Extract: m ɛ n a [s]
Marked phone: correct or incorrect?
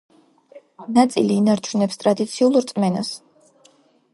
correct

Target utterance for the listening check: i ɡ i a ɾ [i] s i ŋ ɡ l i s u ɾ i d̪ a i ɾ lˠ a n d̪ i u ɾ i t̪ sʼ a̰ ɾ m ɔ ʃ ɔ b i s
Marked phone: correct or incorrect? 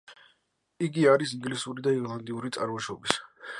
correct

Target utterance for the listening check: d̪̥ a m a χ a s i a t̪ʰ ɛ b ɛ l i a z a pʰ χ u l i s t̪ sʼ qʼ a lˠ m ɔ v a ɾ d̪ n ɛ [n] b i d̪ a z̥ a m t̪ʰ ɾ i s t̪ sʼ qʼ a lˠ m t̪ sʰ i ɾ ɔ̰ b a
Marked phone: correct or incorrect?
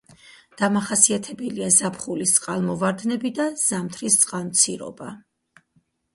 incorrect: none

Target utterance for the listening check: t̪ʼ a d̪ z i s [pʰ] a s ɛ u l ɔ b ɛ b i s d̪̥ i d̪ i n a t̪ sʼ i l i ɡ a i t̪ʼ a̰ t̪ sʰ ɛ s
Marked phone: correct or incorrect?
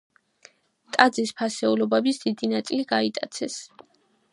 correct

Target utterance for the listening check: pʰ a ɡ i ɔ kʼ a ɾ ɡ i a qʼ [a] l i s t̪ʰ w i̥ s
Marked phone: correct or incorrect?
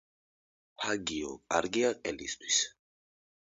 incorrect: ɛ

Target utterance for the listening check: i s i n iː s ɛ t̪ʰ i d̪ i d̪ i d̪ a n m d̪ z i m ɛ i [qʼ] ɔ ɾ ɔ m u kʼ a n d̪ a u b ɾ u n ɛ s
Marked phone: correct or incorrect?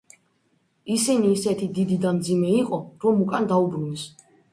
correct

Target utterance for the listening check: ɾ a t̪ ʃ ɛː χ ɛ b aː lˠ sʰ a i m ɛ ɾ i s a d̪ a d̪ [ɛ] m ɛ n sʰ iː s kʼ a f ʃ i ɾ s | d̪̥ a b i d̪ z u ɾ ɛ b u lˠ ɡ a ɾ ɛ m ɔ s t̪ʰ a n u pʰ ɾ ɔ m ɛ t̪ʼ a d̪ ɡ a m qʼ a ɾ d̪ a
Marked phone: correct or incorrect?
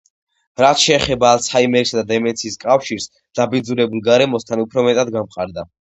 correct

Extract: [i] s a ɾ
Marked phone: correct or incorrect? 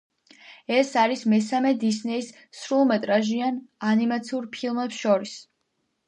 incorrect: ɛ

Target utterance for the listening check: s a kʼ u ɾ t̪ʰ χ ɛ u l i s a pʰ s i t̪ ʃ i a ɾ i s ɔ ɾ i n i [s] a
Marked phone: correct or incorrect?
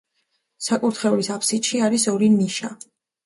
incorrect: ʃ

